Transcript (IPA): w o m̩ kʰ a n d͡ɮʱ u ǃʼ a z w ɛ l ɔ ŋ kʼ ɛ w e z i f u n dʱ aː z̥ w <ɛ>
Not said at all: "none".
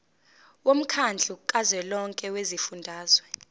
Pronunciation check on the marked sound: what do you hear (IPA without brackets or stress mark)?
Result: ɛ